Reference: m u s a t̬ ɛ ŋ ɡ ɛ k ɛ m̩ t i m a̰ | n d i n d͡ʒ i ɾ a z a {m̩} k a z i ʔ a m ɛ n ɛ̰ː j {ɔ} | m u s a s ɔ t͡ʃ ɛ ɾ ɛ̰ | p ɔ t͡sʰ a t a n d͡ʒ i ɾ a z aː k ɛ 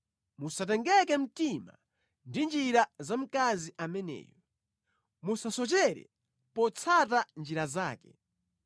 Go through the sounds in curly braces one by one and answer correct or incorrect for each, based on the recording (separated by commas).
correct, correct